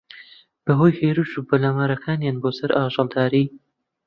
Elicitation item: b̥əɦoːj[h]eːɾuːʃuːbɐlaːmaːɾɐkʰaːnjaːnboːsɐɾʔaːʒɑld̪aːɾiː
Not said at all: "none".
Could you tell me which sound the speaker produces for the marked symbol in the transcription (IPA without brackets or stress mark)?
h